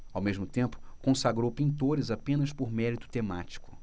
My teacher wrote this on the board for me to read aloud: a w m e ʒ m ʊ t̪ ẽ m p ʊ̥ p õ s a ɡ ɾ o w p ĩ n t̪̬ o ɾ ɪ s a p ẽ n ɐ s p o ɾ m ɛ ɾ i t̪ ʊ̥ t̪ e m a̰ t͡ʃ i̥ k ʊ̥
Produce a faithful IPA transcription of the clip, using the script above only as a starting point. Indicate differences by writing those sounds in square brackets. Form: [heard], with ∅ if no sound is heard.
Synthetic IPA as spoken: a w m e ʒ m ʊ t̪ ẽ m p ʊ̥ [k] õ s a ɡ ɾ o w p ĩ n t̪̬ o ɾ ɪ [z] a p ẽ n ɐ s p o ɾ m ɛ ɾ i t̪ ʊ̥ t̪ e m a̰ t͡ʃ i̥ k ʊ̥